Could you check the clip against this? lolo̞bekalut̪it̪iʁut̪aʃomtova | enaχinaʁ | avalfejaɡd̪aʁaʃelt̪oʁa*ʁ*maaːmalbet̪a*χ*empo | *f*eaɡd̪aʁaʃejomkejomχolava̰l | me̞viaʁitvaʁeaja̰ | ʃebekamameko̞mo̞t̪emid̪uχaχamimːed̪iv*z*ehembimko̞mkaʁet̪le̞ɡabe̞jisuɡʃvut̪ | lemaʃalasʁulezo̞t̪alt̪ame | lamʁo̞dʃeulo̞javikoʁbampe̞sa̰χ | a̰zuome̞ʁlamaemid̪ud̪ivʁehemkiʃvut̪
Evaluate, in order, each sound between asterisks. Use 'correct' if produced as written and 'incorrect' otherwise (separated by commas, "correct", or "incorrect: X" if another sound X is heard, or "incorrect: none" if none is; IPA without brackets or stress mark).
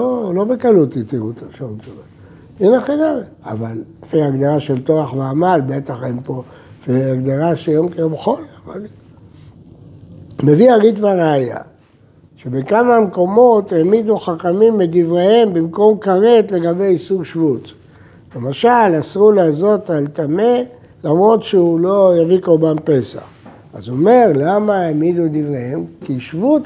incorrect: χ, correct, correct, incorrect: ʁ